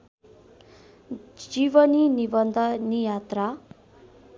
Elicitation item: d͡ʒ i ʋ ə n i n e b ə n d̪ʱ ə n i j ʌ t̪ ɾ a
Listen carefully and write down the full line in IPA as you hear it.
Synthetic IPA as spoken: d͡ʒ i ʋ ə n i n i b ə n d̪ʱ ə n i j a t̪ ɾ a